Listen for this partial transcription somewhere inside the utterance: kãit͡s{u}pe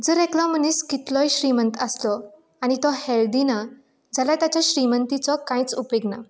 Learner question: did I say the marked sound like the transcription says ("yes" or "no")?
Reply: yes